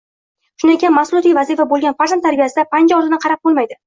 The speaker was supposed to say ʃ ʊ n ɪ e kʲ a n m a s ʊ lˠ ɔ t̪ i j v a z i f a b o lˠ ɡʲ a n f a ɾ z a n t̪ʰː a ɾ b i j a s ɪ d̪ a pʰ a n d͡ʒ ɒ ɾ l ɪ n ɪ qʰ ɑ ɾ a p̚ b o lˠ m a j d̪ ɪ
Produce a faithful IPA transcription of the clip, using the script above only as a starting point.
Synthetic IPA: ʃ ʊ n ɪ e kʲ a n m a s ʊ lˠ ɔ t̪ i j v a z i f a b o lˠ ɡʲ a n f a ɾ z a n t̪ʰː a ɾ b i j a s ɪ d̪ a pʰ a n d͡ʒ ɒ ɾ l ɪ n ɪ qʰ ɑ ɾ a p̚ b o lˠ m a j d̪ ɪ